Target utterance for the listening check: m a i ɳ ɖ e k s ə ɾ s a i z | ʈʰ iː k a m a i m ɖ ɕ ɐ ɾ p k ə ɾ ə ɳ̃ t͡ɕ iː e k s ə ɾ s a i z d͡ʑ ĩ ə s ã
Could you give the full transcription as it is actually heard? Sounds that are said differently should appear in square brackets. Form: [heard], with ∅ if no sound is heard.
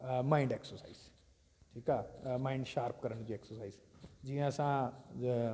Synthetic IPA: m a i ɳ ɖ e k s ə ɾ s a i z | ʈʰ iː k a m a i [ɳ] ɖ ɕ [a] ɾ p k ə ɾ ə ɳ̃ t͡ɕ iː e k s ə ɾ s a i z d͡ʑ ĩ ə s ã